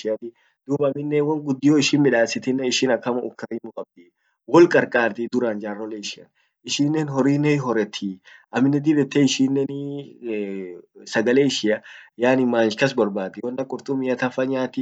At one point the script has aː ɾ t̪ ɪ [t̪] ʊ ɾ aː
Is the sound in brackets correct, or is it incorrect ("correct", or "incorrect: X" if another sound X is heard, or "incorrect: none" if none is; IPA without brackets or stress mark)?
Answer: incorrect: d̪